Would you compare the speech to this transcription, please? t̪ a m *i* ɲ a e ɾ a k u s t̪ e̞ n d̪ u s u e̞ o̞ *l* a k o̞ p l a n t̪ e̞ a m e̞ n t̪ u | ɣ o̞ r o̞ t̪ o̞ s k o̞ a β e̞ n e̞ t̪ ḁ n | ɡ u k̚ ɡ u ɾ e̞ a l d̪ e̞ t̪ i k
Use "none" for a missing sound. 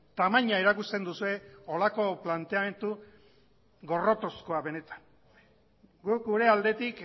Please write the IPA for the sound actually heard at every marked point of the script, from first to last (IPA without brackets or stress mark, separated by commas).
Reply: a, l